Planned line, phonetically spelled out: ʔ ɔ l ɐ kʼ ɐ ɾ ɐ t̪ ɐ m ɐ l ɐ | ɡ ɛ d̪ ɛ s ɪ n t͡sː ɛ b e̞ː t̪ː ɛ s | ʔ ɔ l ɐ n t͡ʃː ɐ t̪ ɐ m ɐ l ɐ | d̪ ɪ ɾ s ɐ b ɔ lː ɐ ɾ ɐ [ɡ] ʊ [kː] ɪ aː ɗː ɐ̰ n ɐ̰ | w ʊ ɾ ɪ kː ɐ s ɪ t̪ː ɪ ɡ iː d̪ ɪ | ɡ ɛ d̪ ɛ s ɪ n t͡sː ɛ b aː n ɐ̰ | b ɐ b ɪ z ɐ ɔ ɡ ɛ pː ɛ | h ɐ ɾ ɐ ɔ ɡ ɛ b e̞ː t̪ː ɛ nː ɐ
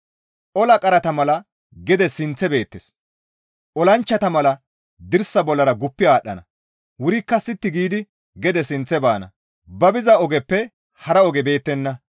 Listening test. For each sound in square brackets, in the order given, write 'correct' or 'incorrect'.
correct, incorrect

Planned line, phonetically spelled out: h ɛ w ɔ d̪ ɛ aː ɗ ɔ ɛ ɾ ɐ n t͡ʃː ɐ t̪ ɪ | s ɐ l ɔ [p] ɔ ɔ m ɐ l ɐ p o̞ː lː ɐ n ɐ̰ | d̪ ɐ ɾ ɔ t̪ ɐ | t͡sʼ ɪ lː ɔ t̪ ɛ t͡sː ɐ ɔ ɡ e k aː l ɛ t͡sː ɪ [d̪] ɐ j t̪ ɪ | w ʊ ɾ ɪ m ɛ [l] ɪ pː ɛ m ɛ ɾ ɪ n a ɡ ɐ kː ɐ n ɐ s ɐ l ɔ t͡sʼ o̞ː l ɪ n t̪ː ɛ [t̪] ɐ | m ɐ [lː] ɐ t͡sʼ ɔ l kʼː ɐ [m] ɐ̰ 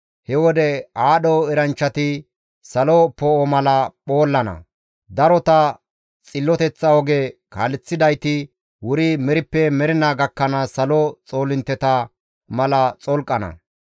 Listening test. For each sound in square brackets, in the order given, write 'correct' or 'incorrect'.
correct, correct, incorrect, correct, incorrect, incorrect

